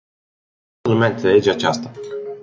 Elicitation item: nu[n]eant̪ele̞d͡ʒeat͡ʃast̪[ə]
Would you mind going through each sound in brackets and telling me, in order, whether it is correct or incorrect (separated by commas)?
incorrect, incorrect